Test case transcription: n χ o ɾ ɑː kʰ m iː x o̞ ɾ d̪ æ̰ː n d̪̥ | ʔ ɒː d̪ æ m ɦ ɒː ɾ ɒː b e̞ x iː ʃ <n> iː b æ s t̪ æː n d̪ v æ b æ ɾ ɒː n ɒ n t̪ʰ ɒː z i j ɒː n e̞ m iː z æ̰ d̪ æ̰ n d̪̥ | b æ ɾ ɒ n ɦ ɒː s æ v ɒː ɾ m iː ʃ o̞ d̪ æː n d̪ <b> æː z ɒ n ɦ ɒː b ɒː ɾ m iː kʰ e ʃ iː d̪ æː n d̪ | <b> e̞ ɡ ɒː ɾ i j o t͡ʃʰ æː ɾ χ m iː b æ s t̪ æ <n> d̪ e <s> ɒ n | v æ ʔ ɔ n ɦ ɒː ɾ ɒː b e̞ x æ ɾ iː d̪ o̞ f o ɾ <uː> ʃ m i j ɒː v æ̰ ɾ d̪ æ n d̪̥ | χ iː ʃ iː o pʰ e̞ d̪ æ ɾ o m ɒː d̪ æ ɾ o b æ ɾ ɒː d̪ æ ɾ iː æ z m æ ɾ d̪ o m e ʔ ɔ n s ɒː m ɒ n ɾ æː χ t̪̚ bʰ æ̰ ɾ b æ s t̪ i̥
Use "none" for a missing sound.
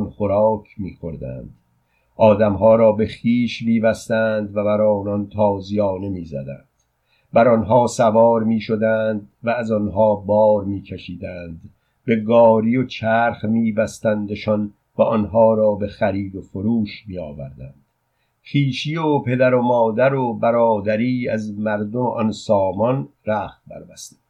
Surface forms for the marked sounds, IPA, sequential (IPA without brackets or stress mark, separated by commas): m, v, b, n, ʃ, uː